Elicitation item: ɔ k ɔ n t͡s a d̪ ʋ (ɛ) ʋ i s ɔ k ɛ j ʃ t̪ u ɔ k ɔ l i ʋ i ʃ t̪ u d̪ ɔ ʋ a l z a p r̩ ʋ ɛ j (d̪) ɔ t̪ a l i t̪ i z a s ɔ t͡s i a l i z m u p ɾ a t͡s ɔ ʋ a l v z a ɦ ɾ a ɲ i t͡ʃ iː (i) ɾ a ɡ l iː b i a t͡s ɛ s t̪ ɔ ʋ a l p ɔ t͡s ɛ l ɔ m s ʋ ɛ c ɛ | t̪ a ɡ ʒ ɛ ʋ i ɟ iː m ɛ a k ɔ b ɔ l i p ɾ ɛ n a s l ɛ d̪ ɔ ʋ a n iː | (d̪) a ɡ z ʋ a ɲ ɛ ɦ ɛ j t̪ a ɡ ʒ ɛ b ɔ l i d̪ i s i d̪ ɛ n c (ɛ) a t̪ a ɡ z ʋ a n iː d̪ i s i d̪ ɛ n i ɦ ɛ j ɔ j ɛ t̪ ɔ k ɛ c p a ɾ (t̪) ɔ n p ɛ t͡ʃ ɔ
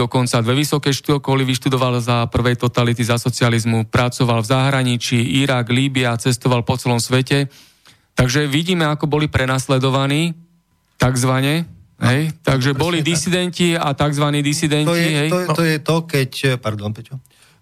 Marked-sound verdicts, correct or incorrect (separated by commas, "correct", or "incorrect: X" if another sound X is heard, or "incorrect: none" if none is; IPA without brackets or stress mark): correct, incorrect: t̪, correct, incorrect: t̪, incorrect: i, incorrect: d̪